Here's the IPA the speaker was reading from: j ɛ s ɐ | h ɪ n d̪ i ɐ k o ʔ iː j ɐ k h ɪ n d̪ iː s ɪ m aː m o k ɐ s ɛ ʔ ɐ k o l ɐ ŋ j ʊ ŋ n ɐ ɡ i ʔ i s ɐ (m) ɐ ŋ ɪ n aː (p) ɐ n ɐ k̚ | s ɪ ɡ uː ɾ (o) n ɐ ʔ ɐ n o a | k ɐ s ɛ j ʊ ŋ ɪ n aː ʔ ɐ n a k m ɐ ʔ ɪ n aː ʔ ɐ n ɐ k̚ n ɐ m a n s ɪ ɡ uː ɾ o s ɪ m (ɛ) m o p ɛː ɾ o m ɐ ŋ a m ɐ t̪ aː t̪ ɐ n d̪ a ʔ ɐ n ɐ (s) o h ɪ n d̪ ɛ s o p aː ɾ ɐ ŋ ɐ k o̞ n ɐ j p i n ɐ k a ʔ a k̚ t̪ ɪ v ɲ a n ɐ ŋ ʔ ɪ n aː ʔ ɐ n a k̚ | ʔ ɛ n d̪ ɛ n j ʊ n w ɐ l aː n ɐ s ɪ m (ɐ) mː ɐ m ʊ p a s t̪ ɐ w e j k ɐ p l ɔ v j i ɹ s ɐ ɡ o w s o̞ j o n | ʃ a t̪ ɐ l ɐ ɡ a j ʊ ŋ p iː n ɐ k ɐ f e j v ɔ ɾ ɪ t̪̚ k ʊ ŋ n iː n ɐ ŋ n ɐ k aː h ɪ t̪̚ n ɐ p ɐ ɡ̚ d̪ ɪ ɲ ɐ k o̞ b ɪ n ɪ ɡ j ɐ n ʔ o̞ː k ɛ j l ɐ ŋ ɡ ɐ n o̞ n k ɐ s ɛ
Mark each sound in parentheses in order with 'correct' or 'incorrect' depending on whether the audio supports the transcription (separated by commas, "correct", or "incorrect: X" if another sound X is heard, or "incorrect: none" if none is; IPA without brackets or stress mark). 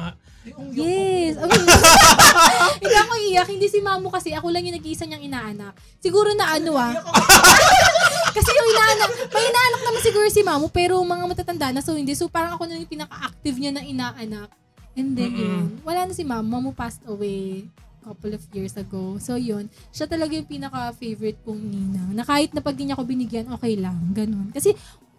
incorrect: ɲ, incorrect: ʔ, correct, incorrect: a, correct, incorrect: a